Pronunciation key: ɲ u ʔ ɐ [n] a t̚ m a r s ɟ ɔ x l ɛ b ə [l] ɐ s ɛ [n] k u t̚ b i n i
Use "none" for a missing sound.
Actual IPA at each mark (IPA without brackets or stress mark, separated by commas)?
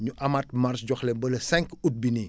m, l, ŋ